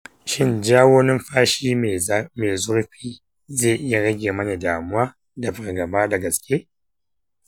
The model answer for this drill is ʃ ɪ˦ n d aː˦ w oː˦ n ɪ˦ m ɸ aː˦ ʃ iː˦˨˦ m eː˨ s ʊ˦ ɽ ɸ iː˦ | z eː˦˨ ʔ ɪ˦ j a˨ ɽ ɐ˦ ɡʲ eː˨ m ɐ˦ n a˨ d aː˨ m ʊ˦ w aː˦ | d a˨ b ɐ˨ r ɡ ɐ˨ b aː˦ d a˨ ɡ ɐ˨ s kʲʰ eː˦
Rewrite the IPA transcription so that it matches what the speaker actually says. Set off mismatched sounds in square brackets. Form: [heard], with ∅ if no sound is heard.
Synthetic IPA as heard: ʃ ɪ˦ n [d͡ʒ] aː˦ w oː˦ n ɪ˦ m ɸ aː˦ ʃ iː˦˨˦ m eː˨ [z] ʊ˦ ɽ ɸ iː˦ | z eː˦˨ ʔ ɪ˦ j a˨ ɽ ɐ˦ ɡʲ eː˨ m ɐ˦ n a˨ d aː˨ m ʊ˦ w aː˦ | d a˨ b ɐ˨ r ɡ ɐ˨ b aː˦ d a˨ ɡ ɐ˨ s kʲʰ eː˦

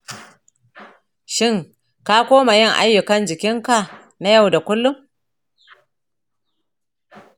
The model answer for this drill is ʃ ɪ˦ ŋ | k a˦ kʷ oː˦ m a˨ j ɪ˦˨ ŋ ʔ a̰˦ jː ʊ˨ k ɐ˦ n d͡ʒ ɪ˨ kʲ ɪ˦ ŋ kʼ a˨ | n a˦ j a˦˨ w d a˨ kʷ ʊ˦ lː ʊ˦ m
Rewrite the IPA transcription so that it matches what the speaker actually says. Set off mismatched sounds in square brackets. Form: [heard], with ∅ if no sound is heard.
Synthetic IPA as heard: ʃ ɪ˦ ŋ | k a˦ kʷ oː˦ m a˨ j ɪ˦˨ ŋ ʔ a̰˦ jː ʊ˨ k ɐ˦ n d͡ʒ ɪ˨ kʲ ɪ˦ ŋ [k] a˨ | n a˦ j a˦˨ w d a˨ kʷ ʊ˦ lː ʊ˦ m

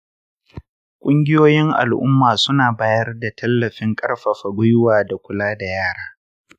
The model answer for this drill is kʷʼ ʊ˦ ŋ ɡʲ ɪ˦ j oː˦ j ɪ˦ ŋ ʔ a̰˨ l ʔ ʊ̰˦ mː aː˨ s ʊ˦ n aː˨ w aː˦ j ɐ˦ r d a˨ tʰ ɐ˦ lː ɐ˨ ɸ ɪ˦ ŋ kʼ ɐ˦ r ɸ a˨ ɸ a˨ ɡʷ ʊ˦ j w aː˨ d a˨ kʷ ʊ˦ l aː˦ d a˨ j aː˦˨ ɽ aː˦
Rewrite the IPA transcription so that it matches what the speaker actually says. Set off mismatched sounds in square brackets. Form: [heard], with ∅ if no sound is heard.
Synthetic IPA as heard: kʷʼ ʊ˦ ŋ ɡʲ ɪ˦ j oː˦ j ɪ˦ ŋ ʔ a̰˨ l ʔ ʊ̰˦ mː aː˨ s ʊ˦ n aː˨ [b] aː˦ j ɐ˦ r d a˨ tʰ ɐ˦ lː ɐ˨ ɸ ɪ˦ ŋ kʼ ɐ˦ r ɸ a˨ ɸ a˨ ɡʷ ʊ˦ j w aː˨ d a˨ kʷ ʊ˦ l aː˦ d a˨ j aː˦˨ ɽ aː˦

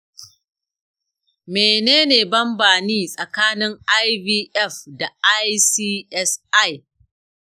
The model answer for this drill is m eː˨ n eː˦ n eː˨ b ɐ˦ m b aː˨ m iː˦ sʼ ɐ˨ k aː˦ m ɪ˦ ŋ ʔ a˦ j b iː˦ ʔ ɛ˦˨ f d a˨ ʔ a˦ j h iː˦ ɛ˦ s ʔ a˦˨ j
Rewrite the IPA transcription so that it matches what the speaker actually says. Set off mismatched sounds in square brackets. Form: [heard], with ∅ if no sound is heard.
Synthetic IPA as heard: m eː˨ n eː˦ n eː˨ b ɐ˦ m b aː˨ [n] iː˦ sʼ ɐ˨ k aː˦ [n] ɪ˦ ŋ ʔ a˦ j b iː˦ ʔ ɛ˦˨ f d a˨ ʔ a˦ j [s] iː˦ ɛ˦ s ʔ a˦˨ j

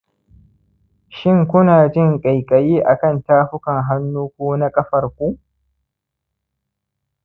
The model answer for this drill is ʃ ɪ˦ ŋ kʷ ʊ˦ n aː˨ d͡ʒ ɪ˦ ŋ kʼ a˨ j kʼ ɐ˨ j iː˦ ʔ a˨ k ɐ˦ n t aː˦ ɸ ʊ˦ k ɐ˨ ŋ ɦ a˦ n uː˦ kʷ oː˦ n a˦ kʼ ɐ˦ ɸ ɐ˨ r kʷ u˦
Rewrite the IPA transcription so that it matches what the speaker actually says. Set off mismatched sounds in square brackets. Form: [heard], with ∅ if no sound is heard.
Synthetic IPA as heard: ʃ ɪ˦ ŋ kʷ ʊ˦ n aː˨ d͡ʒ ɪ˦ ŋ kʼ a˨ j kʼ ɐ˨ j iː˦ ʔ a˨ k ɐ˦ n t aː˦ ɸ ʊ˦ k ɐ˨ ŋ ɦ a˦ [nː] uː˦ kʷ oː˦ n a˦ kʼ ɐ˦ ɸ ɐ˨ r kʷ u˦

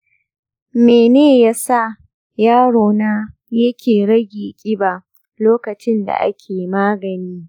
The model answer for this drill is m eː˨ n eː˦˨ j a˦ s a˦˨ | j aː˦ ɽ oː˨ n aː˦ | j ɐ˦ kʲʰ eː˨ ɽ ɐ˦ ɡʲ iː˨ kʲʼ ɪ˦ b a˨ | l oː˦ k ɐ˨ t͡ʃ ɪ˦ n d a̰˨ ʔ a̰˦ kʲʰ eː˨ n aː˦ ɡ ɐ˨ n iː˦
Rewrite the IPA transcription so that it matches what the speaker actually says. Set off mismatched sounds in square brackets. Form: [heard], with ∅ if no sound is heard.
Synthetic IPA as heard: m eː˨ n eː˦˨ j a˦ s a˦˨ | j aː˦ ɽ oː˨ n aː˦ | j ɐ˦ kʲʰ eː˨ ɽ ɐ˦ ɡʲ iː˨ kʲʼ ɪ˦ b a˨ | l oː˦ k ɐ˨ t͡ʃ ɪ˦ n d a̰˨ ʔ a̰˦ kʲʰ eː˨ [m] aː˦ ɡ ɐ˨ n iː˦

